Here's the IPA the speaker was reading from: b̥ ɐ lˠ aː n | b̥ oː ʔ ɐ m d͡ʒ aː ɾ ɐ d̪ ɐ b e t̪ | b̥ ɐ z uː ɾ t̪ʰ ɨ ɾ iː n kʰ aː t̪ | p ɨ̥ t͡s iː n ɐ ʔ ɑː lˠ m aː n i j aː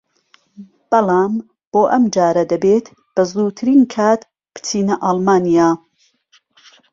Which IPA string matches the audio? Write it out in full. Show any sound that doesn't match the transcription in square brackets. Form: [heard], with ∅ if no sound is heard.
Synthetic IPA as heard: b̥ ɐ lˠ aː [m] | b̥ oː ʔ ɐ m d͡ʒ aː ɾ ɐ d̪ ɐ b e t̪ | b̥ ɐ z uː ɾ t̪ʰ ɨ ɾ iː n kʰ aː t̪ | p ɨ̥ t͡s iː n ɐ ʔ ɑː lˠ m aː n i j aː